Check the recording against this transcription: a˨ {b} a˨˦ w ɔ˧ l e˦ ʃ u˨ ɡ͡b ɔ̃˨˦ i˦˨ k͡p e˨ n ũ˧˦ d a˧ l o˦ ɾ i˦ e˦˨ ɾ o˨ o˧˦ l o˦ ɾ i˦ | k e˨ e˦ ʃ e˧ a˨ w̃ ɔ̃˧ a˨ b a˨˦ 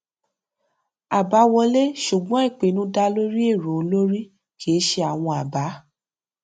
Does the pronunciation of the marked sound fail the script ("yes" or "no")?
no